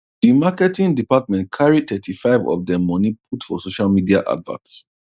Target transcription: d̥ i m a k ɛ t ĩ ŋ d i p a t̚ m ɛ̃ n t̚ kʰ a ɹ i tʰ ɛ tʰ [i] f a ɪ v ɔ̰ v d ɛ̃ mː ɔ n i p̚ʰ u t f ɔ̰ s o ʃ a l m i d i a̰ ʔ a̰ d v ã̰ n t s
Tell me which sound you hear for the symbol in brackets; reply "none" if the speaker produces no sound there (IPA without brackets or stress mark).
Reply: i